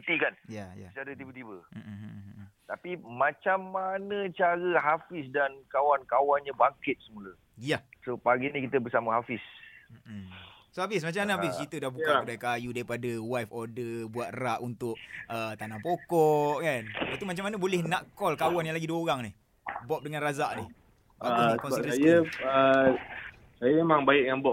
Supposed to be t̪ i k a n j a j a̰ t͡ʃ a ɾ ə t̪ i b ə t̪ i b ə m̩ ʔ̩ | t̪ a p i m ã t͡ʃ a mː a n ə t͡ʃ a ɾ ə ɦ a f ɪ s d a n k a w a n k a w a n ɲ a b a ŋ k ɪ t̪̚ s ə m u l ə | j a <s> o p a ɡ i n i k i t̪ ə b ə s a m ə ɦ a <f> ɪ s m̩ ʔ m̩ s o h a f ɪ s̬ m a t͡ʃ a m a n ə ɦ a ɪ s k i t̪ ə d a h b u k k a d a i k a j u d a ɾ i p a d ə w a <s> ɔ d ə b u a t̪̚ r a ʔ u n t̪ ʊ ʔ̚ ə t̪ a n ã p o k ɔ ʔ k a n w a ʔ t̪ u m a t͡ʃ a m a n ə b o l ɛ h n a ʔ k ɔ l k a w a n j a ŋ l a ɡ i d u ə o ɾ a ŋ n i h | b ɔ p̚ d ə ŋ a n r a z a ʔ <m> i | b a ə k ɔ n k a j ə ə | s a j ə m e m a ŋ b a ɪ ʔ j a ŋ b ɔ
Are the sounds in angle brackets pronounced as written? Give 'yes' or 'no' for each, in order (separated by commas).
yes, yes, no, no